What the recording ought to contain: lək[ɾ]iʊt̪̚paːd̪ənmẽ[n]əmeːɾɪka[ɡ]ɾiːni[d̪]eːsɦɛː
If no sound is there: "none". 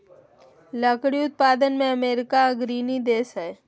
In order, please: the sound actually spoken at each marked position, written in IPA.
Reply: ɽ, none, ɡ, d̪

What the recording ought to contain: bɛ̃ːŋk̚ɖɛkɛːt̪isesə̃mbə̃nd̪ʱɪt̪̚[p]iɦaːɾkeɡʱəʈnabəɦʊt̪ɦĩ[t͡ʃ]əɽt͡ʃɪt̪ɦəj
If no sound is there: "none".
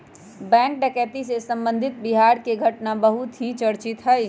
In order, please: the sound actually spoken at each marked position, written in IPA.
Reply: b, t͡ʃ

